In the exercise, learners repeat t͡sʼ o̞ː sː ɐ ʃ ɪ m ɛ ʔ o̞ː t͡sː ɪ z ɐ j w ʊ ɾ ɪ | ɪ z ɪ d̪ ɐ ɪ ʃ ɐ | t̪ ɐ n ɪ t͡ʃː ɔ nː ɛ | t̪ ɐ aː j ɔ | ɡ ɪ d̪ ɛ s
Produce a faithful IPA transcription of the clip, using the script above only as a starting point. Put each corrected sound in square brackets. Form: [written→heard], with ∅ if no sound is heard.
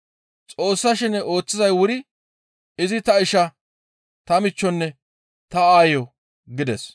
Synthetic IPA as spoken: t͡sʼ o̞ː sː ɐ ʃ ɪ [m→n] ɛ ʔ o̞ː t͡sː ɪ z ɐ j w ʊ ɾ ɪ | ɪ z ɪ [d̪→t̪] ɐ ɪ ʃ ɐ | t̪ ɐ [n→m] ɪ t͡ʃː ɔ nː ɛ | t̪ ɐ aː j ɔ | ɡ ɪ d̪ ɛ s

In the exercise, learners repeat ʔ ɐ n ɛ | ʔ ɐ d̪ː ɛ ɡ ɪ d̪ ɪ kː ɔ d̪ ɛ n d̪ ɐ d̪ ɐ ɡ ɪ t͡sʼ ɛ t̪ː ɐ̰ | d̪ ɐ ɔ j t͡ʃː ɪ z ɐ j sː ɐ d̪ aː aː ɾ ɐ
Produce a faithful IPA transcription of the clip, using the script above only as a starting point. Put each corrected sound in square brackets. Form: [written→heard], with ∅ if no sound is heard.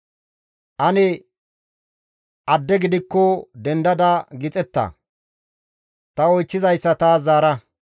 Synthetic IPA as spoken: ʔ ɐ n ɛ | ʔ ɐ d̪ː ɛ ɡ ɪ d̪ ɪ kː ɔ d̪ ɛ n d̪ ɐ d̪ ɐ ɡ ɪ t͡sʼ ɛ t̪ː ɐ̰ | [d̪→t̪] ɐ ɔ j t͡ʃː ɪ z ɐ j sː ɐ [d̪→t̪] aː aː ɾ ɐ

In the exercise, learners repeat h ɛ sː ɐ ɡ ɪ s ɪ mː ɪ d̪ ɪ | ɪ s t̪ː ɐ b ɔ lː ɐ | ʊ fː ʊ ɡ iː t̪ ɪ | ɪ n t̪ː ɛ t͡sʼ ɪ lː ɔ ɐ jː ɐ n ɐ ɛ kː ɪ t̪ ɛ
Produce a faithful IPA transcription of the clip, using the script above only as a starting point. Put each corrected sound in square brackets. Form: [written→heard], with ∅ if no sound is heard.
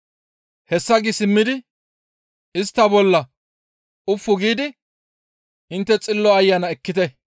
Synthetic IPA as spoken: h ɛ sː ɐ ɡ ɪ s ɪ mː ɪ d̪ ɪ | ɪ s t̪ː ɐ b ɔ lː ɐ | ʊ fː ʊ ɡ iː [t̪→d̪] ɪ | ɪ n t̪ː ɛ t͡sʼ ɪ lː ɔ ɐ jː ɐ n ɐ ɛ kː ɪ t̪ ɛ

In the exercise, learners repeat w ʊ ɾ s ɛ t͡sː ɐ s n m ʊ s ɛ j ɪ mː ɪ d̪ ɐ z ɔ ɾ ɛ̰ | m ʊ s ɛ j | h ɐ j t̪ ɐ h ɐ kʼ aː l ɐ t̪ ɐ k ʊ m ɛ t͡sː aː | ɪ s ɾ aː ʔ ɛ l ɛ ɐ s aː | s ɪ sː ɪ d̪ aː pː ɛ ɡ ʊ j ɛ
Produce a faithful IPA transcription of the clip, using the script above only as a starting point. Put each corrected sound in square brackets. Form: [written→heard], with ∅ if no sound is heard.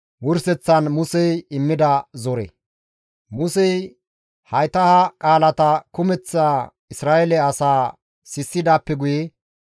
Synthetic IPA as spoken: w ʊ ɾ s ɛ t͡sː ɐ [s→∅] n m ʊ s ɛ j ɪ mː ɪ d̪ ɐ z ɔ ɾ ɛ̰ | m ʊ s ɛ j | h ɐ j t̪ ɐ h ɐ kʼ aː l ɐ t̪ ɐ k ʊ m ɛ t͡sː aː | ɪ s ɾ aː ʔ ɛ l ɛ ɐ s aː | s ɪ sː ɪ d̪ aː pː ɛ ɡ ʊ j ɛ

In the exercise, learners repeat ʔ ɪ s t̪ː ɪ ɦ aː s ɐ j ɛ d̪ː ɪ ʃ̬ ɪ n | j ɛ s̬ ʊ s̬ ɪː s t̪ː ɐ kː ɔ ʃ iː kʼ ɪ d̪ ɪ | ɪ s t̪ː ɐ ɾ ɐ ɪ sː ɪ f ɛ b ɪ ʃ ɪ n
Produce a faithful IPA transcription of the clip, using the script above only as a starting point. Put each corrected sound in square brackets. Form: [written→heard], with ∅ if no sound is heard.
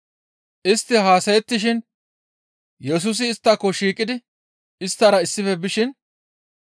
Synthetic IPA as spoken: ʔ ɪ s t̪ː ɪ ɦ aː s ɐ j ɛ [d̪ː→t̪ː] ɪ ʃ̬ ɪ n | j ɛ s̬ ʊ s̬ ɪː s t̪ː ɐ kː ɔ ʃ iː kʼ ɪ d̪ ɪ | ɪ s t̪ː ɐ ɾ ɐ ɪ sː ɪ f ɛ b ɪ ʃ ɪ n

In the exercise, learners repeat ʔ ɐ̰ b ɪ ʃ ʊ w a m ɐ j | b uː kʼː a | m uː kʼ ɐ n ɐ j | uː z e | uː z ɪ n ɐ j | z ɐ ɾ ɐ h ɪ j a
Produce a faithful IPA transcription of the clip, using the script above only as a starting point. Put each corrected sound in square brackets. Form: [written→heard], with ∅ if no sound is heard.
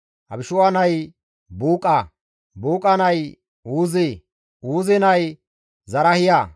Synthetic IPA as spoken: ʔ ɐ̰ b ɪ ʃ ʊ w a [m→n] ɐ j | b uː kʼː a | [m→b] uː kʼ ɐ n ɐ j | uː z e | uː z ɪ n ɐ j | z ɐ ɾ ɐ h ɪ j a

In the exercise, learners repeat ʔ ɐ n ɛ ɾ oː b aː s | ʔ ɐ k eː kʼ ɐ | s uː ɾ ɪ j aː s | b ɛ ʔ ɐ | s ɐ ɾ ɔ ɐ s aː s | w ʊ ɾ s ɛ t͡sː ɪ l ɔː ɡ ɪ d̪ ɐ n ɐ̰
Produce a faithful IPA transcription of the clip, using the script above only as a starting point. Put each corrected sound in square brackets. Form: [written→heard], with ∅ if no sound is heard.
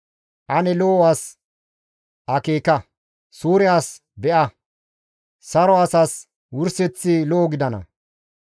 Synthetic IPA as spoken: ʔ ɐ n ɛ [ɾ→l] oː [b→w] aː s | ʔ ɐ k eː [kʼ→k] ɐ | s uː ɾ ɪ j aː s | b ɛ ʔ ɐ | s ɐ ɾ ɔ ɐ s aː s | w ʊ ɾ s ɛ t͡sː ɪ l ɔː ɡ ɪ d̪ ɐ n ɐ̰

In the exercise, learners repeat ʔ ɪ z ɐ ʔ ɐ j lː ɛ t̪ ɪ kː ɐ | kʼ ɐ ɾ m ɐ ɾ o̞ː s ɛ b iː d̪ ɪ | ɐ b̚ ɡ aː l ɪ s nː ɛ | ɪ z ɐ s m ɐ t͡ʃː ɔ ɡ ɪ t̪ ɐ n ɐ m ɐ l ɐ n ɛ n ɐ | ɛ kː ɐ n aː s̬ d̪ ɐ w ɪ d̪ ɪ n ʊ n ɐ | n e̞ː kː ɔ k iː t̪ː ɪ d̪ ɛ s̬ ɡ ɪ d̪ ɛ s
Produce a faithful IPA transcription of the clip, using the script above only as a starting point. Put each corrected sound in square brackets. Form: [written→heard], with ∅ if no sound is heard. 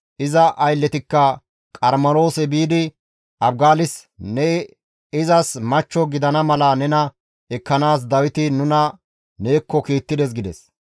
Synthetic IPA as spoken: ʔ ɪ z ɐ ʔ ɐ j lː ɛ t̪ ɪ kː ɐ | kʼ ɐ ɾ m ɐ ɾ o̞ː s ɛ b iː d̪ ɪ | ɐ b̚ ɡ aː l ɪ s [nː→n] ɛ | ɪ z ɐ s m ɐ t͡ʃː ɔ ɡ ɪ [t̪→d̪] ɐ n ɐ m ɐ l ɐ n ɛ n ɐ | ɛ kː ɐ n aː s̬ d̪ ɐ w ɪ [d̪→t̪] ɪ n ʊ n ɐ | n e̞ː kː ɔ k iː t̪ː ɪ d̪ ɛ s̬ ɡ ɪ d̪ ɛ s

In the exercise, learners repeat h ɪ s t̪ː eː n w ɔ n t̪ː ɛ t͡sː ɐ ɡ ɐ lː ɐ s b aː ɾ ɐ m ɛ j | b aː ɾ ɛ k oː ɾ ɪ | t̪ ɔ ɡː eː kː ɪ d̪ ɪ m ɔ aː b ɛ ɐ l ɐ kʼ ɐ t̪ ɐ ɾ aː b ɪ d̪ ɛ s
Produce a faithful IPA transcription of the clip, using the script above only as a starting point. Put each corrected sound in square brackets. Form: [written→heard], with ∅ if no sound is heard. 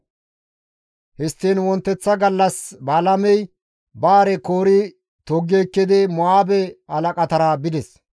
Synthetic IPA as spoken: h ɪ s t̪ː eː n w ɔ n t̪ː ɛ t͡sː ɐ ɡ ɐ lː ɐ s b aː [ɾ→l] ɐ m ɛ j | b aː ɾ ɛ k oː ɾ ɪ | t̪ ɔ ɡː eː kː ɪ d̪ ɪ m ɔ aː b ɛ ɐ l ɐ kʼ ɐ t̪ ɐ ɾ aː b ɪ d̪ ɛ s

